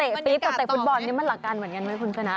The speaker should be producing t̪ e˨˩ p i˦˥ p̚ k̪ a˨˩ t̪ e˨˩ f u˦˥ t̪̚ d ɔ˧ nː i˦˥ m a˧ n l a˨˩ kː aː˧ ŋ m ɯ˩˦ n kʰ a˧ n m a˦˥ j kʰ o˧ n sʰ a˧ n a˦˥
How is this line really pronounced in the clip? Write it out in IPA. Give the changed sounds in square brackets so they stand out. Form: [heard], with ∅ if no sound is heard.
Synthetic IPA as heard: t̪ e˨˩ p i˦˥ p̚ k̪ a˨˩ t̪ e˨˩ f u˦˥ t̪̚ [b] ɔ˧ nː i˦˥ m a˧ n l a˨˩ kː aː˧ [n] m ɯ˩˦ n [k] a˧ n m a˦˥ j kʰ [u˧] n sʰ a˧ n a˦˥